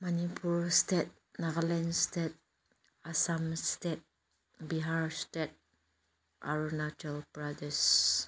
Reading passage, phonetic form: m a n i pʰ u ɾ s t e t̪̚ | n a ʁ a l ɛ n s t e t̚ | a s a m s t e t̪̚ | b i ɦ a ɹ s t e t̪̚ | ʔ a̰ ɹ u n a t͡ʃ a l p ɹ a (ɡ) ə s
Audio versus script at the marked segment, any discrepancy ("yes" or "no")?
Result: yes